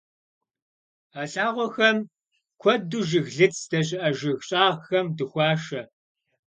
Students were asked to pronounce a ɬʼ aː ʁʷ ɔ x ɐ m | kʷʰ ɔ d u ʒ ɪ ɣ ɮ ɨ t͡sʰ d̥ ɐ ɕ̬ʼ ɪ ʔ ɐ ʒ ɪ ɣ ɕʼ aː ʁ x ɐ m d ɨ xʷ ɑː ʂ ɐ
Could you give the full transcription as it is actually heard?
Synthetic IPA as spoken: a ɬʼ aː ʁʷ ɔ x ɐ m | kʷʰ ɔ d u ʒ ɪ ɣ ɮ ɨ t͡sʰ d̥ ɐ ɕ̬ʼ ɪ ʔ ɐ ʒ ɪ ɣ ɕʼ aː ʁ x ɐ m d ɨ xʷ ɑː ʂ ɐ